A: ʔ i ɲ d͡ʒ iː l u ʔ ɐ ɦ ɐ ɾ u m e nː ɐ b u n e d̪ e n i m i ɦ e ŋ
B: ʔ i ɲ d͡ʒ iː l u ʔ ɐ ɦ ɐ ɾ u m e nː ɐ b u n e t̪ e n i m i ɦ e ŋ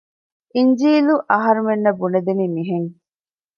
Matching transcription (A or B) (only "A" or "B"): A